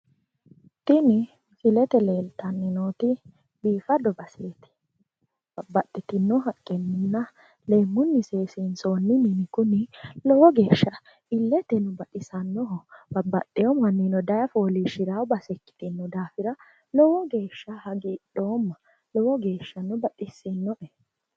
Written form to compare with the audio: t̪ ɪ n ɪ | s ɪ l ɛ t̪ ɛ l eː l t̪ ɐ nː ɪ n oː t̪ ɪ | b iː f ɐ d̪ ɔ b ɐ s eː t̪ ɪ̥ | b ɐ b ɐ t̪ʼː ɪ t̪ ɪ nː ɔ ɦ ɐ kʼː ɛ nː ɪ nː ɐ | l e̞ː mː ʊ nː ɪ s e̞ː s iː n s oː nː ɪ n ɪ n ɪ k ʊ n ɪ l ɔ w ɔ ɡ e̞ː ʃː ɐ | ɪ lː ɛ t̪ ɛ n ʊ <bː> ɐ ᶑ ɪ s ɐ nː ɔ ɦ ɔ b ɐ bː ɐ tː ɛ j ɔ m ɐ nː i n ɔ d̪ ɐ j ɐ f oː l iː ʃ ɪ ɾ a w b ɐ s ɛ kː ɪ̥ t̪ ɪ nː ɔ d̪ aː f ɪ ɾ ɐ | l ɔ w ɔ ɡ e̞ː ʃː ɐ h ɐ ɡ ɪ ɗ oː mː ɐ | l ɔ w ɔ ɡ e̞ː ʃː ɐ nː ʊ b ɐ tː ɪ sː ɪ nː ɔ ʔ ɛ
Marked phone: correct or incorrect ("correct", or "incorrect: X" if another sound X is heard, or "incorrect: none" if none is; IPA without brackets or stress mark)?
incorrect: b